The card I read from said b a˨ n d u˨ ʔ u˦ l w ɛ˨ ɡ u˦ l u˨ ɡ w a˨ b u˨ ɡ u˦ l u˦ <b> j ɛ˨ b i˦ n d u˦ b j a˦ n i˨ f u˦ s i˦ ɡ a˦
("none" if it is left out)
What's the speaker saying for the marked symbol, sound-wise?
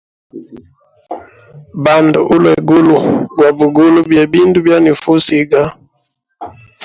b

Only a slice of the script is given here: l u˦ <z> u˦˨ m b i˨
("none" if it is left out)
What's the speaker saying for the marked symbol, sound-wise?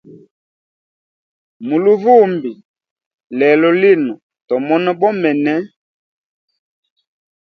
v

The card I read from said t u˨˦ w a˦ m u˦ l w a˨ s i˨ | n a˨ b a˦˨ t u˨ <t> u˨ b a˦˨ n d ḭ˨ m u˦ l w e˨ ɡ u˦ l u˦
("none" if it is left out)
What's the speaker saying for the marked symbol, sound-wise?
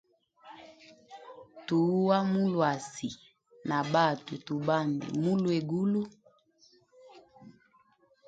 t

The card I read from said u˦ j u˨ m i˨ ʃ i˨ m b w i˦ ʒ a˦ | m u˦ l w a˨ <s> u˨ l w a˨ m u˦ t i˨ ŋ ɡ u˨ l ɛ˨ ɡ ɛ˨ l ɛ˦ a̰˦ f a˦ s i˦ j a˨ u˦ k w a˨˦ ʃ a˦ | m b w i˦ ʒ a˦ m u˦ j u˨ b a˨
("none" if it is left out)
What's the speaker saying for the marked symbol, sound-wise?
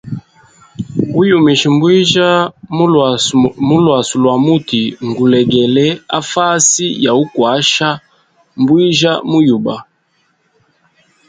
s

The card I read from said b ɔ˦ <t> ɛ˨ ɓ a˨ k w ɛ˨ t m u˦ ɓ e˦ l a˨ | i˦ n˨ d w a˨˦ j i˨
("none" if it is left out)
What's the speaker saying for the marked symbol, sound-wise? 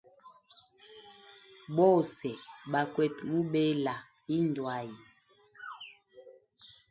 s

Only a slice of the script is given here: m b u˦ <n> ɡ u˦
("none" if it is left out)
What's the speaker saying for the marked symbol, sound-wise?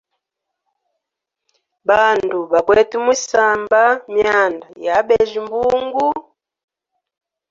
ŋ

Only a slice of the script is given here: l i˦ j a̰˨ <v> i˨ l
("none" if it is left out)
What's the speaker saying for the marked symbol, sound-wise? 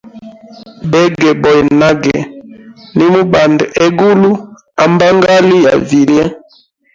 v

